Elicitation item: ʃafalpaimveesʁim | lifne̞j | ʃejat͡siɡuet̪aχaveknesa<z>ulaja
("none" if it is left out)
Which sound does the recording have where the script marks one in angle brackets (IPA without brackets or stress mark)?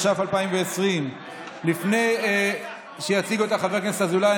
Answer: z